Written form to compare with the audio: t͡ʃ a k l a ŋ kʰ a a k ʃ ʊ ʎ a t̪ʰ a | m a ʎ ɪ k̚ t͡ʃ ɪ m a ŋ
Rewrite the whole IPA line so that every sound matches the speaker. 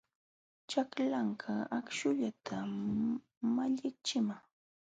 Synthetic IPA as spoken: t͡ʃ a k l a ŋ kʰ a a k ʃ ʊ ʎ a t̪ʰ a | m a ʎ ɪ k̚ t͡ʃ ɪ m a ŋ